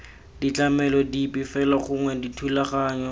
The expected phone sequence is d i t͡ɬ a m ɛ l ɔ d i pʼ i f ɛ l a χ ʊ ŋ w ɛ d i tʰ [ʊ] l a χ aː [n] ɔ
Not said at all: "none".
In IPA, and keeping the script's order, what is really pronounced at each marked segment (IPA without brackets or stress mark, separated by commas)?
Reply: u, ɲ